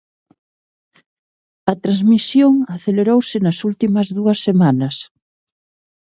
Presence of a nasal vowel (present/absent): absent